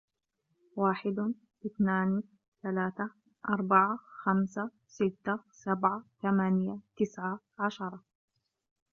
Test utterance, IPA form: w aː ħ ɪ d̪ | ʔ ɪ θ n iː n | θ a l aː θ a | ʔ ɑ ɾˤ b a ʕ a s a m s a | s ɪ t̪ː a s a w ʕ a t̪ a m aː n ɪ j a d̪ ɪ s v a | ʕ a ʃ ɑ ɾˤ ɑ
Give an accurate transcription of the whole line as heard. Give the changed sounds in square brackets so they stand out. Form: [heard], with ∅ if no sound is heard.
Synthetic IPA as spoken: w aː ħ ɪ d̪ | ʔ ɪ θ n [aː] n | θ a l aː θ a | ʔ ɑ ɾˤ b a ʕ a [x] a m s a | s ɪ t̪ː a s a [b] ʕ a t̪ a m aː n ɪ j a [t̪] ɪ s [ʕ] a | ʕ a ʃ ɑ ɾˤ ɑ